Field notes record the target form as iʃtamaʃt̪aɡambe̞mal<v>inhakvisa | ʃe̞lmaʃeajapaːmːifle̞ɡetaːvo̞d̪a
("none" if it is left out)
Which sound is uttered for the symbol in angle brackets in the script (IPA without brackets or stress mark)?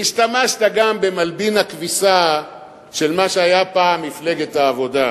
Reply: b